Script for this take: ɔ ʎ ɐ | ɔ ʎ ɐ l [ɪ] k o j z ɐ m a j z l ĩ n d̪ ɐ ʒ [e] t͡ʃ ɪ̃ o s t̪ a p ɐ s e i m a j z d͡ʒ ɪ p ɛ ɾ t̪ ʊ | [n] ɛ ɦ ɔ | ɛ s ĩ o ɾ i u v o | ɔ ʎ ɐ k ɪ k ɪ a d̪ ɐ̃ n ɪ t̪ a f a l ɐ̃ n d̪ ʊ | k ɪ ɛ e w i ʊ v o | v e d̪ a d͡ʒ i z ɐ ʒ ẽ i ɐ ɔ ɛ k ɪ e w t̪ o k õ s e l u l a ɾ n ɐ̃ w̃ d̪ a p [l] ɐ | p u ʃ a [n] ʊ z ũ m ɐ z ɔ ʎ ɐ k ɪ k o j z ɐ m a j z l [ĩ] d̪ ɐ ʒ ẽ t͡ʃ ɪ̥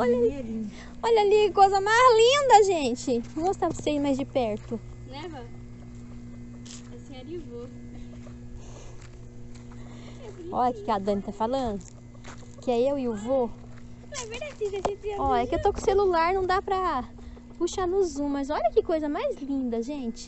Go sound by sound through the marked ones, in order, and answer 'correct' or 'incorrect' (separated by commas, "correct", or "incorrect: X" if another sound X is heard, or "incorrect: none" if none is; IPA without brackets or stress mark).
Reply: incorrect: i, incorrect: ẽ, correct, incorrect: ɾ, correct, correct